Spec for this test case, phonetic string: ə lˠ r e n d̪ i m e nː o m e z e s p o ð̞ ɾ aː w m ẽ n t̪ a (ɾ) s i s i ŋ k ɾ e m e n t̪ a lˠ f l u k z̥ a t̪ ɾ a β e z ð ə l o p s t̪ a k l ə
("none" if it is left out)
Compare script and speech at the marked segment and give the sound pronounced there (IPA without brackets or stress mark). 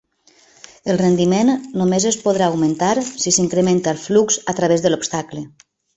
ɾ